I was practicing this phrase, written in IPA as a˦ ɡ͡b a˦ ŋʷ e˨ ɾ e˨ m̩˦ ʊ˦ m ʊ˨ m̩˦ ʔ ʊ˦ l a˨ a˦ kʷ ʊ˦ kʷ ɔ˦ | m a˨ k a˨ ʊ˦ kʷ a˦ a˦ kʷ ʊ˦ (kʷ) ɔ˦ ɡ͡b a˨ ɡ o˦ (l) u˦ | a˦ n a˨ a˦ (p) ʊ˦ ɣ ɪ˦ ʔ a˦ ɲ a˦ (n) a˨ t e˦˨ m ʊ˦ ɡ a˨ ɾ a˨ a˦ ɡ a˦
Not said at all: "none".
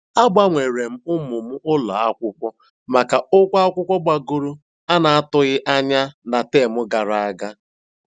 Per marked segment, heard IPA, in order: kʷ, ɾ, t, n

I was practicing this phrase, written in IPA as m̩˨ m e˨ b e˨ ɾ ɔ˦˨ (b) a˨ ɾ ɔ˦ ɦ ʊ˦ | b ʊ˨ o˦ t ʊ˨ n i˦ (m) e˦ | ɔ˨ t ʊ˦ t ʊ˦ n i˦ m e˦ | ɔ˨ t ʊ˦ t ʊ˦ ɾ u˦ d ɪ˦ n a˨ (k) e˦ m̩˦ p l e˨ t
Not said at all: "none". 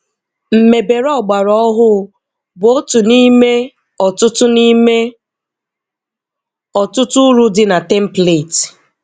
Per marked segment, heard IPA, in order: ɡ͡b, m, t

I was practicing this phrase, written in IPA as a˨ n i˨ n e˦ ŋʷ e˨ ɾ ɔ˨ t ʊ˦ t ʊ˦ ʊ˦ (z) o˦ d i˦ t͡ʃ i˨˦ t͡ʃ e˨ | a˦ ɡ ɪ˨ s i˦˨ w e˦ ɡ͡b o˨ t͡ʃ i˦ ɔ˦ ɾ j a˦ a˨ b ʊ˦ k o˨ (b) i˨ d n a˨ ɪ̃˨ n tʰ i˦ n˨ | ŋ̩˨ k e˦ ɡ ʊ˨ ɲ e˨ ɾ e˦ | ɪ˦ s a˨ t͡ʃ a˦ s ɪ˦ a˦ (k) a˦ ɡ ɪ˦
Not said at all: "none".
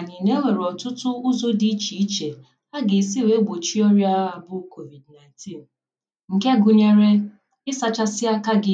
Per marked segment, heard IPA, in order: z, v, k

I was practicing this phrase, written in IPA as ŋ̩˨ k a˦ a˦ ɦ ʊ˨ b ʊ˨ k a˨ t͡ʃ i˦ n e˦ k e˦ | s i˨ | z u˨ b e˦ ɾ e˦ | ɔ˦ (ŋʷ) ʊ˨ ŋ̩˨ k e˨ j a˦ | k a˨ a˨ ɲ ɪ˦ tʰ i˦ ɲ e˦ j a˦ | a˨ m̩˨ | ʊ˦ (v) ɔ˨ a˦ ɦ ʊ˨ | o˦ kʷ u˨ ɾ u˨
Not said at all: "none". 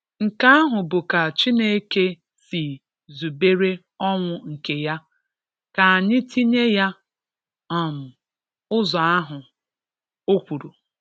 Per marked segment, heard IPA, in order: ŋʷ, z

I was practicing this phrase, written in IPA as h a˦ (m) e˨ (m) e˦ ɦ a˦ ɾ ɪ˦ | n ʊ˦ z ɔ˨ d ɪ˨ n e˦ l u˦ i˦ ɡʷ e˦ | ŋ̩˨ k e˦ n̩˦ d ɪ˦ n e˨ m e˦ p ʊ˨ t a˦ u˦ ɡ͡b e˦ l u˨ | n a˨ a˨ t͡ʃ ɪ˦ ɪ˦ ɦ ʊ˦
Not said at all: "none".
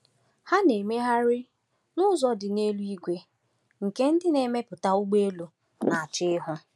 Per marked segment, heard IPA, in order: n, m

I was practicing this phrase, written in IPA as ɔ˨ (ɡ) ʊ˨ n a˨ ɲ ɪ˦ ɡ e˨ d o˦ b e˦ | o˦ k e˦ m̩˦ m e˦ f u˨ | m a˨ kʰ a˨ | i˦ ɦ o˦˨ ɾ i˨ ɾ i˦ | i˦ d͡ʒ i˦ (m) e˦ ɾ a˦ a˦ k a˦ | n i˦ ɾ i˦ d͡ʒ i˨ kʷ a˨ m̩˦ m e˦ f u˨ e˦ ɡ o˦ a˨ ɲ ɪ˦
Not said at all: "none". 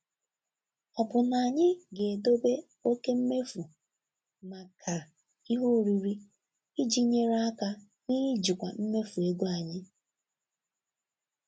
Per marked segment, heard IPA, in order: b, ɲ

